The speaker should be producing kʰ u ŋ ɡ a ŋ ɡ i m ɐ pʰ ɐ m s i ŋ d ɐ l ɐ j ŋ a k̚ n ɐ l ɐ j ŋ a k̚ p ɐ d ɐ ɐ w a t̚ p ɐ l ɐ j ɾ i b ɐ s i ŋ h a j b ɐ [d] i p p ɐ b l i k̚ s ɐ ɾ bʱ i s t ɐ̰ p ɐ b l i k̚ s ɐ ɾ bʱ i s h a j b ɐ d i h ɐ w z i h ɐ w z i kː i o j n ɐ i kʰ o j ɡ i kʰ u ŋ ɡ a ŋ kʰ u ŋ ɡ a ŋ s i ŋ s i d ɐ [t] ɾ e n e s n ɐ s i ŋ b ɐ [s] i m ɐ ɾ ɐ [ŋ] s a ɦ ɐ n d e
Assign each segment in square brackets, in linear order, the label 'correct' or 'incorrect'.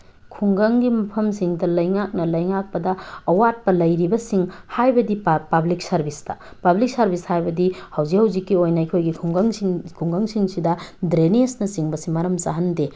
correct, incorrect: d, correct, incorrect: m

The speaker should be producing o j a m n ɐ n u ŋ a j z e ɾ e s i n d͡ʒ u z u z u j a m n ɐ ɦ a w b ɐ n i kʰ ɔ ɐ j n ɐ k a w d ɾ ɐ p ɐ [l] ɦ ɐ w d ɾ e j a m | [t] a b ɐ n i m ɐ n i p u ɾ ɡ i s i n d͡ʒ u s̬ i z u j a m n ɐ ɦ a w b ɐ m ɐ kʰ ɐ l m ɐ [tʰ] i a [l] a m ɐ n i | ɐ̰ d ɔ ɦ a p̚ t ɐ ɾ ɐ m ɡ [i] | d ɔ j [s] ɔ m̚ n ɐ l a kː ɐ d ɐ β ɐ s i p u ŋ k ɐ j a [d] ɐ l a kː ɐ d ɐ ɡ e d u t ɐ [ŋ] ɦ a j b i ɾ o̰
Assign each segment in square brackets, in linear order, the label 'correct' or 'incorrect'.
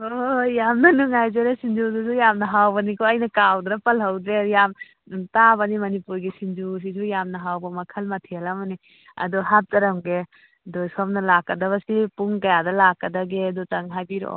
correct, correct, correct, correct, incorrect: e, correct, correct, correct

